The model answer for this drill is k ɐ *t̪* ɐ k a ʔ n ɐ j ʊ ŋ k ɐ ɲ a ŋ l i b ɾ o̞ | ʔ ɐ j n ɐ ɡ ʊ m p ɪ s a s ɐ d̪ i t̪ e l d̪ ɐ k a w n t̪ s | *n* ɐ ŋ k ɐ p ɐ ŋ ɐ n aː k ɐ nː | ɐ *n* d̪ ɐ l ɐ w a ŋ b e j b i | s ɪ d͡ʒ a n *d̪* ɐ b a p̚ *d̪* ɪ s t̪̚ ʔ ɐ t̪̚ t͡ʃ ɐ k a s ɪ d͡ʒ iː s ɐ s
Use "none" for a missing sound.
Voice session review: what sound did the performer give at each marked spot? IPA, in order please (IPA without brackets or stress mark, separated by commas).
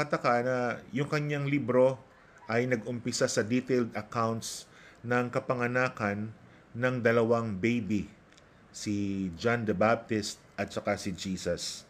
t̪, n, ŋ, d̪, t̪